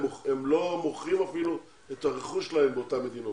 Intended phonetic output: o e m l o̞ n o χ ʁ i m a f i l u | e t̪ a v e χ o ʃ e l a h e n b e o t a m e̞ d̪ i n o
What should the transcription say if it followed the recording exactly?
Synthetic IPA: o e m l o̞ m o χ ʁ i m a f i l u | e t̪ a ʁ e χ u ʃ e l a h e m b e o t a m e̞ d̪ i n o